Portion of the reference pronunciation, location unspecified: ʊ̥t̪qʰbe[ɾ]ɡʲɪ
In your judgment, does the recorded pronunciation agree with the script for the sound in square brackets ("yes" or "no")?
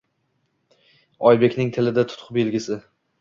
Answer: no